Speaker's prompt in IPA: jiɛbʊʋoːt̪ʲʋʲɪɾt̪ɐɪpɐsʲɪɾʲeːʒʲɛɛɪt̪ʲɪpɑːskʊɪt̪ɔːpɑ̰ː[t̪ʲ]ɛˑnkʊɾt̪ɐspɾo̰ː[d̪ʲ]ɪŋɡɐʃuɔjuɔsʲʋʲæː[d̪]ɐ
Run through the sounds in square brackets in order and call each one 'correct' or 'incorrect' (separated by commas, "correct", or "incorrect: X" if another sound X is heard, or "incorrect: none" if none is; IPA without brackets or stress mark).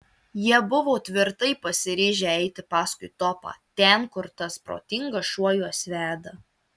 correct, incorrect: t̪ʲ, correct